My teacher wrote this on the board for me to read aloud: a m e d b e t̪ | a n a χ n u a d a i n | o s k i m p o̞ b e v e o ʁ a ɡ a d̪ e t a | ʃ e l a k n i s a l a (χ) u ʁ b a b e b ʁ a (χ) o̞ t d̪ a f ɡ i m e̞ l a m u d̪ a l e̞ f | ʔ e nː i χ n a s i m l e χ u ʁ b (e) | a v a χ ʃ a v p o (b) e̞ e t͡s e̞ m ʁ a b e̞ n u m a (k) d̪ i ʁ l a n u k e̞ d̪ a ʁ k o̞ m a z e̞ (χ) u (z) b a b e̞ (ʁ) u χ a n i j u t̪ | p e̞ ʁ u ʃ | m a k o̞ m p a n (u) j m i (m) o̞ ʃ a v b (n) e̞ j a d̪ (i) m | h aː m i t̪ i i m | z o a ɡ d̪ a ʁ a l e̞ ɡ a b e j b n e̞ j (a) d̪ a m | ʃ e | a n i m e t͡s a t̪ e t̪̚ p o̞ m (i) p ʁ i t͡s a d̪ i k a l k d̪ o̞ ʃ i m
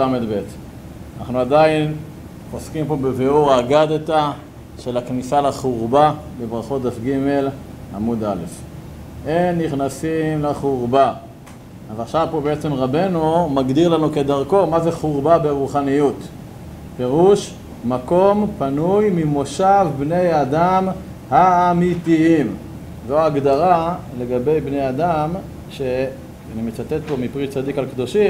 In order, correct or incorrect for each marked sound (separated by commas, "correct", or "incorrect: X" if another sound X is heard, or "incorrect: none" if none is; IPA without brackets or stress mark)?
correct, correct, incorrect: a, correct, incorrect: ɡ, correct, incorrect: ʁ, correct, correct, correct, correct, incorrect: a, correct, correct